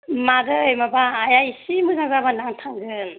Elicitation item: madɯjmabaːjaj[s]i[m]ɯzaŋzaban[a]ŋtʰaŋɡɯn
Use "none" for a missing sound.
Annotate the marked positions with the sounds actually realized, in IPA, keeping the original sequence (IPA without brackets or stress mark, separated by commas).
s, m, a